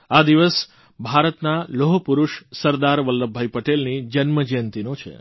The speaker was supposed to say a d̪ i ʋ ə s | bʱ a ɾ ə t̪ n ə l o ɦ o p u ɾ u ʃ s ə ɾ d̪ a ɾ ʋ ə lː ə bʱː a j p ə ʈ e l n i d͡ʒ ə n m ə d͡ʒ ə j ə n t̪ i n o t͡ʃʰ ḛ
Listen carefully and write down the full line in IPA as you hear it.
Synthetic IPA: a d̪ i ʋ ə s | bʱ a ɾ ə t̪ n a l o ɦ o p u ɾ u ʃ s ə ɾ d̪ a ɾ ʋ ə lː ə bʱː a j p ə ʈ e l n i d͡ʒ ə n m ə d͡ʒ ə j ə n t̪ i n o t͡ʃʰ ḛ